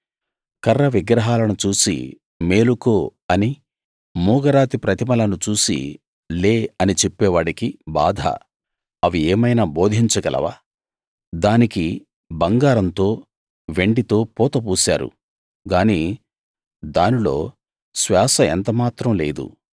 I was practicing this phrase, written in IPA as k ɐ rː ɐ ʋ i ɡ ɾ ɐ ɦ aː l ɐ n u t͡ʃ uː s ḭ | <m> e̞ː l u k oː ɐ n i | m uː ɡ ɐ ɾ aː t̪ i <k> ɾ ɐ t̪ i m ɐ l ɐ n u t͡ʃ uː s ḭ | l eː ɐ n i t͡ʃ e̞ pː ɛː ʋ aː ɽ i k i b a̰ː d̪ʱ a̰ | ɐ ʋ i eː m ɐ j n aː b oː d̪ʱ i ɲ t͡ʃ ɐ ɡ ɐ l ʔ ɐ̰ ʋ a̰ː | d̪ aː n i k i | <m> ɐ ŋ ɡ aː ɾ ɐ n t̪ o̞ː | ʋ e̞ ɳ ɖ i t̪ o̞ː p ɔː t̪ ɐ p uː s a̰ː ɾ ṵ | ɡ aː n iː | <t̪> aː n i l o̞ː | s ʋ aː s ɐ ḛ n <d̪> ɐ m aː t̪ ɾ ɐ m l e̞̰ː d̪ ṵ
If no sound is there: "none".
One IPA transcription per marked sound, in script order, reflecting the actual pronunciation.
m, p, b, d̪, t̪

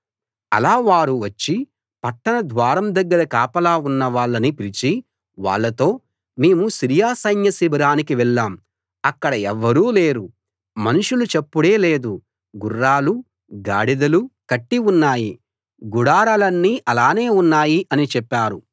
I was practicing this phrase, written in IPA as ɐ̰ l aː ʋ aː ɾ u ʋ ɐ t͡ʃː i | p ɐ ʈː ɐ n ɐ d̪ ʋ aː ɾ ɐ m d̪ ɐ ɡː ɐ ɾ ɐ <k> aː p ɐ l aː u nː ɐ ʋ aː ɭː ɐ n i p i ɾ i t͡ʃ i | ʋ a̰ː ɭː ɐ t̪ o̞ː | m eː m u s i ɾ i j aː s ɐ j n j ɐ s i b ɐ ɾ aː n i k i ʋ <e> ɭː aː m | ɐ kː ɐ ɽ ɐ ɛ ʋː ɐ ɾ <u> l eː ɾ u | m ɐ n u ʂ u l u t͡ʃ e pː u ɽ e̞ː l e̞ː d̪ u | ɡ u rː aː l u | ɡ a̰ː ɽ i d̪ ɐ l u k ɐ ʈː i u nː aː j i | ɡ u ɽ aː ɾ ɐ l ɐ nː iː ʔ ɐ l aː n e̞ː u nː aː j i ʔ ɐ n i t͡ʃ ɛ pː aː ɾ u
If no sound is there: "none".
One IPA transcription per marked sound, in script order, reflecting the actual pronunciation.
k, ɛ, uː

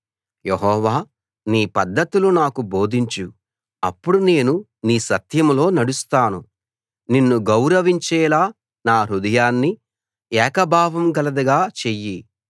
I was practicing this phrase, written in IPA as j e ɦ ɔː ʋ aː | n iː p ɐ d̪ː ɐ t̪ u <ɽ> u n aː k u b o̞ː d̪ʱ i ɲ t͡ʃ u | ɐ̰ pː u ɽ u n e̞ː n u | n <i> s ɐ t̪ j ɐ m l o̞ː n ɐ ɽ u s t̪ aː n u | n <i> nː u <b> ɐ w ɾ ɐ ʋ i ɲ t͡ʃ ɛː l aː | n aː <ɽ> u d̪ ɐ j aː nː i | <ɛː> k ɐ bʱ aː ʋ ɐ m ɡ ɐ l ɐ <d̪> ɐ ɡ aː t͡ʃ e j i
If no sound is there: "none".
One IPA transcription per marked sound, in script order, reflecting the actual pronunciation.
l, iː, i, ɡ, ɾ, ɛː, d̪

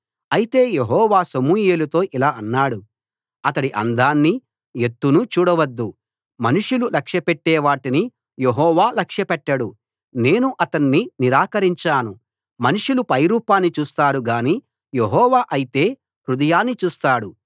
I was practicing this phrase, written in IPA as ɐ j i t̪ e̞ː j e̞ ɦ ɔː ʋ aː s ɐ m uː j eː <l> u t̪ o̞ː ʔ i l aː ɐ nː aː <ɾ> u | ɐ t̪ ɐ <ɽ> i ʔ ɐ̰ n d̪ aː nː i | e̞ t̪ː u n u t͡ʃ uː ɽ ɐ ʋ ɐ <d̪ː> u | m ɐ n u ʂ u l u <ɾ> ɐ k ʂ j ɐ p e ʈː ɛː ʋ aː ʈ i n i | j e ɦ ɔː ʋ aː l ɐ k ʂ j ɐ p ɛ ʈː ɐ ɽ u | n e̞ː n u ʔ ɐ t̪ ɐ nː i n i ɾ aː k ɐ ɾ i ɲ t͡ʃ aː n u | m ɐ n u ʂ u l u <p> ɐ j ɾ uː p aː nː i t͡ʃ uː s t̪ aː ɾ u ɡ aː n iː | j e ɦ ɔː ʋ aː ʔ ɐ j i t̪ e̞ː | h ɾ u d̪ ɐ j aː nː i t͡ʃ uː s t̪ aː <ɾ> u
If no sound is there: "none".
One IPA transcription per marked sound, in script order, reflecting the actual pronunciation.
l, ɽ, ɽ, d̪ː, l, p, ɽ

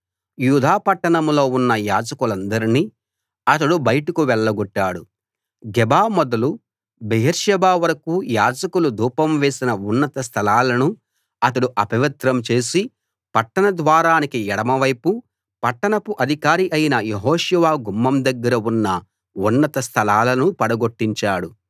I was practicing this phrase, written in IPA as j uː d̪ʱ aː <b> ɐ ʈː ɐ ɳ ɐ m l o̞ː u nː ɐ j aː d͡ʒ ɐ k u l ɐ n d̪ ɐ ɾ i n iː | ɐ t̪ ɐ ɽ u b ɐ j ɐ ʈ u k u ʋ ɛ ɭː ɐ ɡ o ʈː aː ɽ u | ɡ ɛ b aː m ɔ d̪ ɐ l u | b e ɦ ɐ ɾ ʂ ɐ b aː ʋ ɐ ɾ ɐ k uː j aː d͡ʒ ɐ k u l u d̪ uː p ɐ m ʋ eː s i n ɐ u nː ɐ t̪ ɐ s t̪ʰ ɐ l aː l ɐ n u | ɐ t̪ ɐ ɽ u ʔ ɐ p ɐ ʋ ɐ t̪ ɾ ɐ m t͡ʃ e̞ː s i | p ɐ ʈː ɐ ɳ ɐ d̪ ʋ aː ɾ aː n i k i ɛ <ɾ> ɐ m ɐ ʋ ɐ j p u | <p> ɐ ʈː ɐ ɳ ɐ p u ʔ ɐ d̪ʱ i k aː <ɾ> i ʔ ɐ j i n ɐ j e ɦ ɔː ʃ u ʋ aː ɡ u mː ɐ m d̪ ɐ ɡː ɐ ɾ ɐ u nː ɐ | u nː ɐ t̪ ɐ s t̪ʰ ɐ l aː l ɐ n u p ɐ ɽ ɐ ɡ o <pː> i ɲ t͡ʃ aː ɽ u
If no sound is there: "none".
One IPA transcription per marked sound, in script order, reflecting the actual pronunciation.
p, ɽ, p, ɾ, ʈː

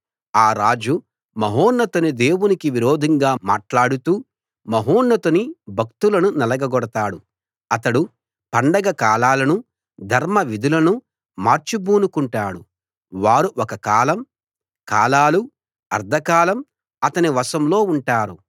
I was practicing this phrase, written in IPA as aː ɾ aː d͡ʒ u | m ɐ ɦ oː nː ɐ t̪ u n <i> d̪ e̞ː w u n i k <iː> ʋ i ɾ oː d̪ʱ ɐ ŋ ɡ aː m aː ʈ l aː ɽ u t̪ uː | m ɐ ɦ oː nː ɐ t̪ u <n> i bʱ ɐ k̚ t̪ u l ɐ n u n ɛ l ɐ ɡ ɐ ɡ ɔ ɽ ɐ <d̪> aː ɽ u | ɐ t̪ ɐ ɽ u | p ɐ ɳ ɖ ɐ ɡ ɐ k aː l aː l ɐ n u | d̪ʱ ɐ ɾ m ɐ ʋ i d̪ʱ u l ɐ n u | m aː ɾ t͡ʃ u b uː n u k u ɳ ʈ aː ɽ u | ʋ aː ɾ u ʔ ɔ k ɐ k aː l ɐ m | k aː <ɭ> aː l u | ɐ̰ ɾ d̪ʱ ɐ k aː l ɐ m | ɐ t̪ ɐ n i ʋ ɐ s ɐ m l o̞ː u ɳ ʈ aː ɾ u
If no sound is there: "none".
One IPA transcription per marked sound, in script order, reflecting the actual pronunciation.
i, i, n, t̪, l

